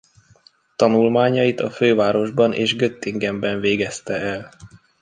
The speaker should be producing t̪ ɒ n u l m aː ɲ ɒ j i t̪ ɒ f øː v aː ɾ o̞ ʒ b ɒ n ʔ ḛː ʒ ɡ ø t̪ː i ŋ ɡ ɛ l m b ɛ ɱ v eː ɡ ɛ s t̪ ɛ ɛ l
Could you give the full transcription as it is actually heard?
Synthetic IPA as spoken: t̪ ɒ n u l m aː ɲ ɒ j i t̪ ɒ f øː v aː ɾ o̞ ʒ b ɒ n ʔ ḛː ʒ ɡ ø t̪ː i ŋ ɡ ɛ m b ɛ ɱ v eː ɡ ɛ s t̪ ɛ ɛ l